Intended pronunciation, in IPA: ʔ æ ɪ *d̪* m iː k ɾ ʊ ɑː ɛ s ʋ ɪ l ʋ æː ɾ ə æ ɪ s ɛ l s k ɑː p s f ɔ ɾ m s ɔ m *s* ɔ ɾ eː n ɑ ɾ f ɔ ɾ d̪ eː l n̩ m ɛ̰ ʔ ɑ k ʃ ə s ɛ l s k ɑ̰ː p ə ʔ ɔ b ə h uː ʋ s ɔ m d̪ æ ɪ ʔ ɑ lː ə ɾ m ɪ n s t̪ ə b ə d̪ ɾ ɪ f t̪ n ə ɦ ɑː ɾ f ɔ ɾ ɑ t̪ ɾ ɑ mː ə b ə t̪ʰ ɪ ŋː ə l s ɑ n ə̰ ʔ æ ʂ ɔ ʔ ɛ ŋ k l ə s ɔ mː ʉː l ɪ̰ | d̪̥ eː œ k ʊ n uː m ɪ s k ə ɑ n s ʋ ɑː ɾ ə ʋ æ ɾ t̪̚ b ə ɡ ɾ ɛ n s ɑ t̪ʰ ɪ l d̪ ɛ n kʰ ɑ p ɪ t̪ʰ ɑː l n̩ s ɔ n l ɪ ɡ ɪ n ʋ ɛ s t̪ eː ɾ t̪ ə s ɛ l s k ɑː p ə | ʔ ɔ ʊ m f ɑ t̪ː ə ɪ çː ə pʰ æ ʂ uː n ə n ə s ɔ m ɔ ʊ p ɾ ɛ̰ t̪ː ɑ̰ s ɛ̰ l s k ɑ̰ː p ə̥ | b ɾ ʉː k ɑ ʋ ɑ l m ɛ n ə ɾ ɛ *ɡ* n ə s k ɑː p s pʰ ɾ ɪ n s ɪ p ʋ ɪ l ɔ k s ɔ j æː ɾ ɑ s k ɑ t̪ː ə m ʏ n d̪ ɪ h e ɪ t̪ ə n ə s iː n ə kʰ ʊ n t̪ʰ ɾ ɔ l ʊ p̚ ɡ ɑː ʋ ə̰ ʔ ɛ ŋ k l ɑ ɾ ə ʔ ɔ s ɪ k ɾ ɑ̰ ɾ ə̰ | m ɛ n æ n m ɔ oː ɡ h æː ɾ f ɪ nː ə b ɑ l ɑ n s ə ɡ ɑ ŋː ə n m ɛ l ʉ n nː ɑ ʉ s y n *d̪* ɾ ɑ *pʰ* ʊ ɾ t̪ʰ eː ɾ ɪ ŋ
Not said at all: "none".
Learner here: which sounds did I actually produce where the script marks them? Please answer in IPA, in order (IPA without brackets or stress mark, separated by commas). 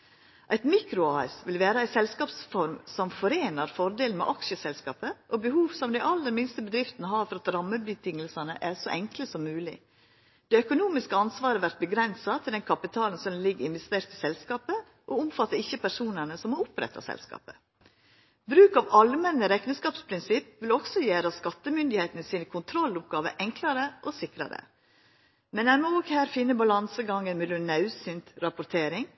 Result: t̪, f, k, t̪, p